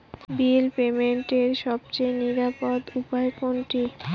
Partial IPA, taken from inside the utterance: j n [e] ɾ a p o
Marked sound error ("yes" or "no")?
yes